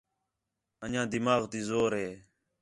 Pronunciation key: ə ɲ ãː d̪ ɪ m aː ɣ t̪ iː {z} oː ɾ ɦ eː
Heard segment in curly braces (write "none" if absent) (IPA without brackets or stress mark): z